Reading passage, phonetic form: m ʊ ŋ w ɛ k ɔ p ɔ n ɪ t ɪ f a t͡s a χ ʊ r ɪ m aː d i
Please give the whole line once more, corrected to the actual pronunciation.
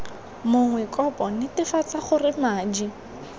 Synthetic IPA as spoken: m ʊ ŋ w ɛ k ɔ p ɔ n ɪ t ɪ f a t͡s a χ ʊ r ɪ m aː d͡ʒ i